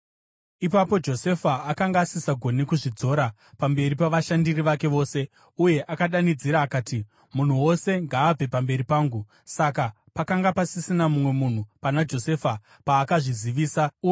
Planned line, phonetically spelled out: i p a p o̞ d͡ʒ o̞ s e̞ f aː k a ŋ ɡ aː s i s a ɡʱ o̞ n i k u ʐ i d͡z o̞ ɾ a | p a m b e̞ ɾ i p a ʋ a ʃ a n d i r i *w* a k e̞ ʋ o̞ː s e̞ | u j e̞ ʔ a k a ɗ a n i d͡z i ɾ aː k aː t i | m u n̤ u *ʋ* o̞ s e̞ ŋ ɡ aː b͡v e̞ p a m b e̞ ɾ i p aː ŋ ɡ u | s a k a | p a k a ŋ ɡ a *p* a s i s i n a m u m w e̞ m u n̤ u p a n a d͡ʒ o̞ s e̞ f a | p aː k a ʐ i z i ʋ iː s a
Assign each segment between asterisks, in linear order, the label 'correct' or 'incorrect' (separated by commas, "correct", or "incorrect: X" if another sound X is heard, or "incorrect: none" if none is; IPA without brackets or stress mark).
incorrect: ʋ, incorrect: w, correct